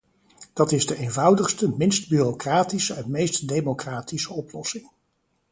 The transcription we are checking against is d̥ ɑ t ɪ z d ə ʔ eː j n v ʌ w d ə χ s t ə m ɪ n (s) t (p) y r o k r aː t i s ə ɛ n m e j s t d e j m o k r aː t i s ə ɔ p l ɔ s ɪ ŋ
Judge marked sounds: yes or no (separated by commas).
yes, no